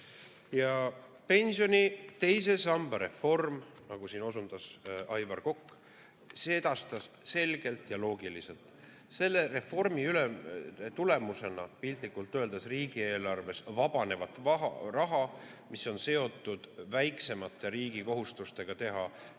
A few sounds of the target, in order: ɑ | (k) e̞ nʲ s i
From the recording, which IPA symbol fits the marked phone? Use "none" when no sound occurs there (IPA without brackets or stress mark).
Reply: p